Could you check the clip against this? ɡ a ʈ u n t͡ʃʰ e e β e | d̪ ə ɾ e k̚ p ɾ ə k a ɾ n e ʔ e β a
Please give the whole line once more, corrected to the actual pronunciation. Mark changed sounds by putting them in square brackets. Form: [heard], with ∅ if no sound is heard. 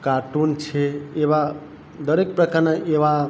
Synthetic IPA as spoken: [k] a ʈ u n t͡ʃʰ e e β [a] | d̪ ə ɾ e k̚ p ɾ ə k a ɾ n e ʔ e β a